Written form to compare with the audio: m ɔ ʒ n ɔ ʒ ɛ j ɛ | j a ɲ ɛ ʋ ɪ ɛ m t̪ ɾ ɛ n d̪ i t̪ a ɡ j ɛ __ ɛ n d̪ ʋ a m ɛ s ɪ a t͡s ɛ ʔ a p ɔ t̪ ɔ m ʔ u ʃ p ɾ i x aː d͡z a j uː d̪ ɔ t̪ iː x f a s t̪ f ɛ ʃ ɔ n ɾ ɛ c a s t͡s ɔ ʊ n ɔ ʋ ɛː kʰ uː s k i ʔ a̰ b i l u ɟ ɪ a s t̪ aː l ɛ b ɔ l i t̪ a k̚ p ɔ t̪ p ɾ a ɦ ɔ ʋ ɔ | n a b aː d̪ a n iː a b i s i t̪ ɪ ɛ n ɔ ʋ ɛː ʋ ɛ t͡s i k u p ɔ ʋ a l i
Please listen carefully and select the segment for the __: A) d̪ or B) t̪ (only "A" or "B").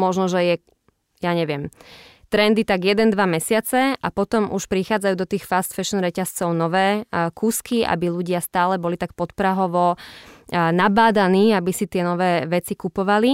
A